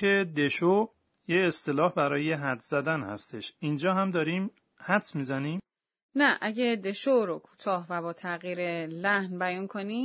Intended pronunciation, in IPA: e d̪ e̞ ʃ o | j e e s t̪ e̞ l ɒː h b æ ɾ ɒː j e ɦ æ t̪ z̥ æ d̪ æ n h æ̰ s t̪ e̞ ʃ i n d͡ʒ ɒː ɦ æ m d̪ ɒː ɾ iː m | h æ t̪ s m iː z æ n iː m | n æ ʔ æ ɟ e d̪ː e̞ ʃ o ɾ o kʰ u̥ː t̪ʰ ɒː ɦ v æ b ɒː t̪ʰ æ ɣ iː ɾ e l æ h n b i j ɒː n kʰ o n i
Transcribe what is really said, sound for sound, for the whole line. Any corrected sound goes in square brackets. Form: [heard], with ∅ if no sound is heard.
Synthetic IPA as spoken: e d̪ e̞ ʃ o | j e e s t̪ e̞ l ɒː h b æ ɾ ɒː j e ɦ æ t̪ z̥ æ d̪ æ n h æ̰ s t̪ e̞ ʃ i n d͡ʒ ɒː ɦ æ m d̪ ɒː ɾ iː m | h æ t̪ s m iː z æ n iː m | n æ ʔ æ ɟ e [d̪] e̞ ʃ o ɾ o kʰ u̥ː t̪ʰ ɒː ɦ v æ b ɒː t̪ʰ æ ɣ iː ɾ e l æ h n b [æ] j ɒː n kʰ o n i